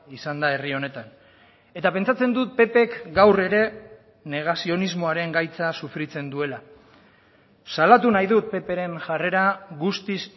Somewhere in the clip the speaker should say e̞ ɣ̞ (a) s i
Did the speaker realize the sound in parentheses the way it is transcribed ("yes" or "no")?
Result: yes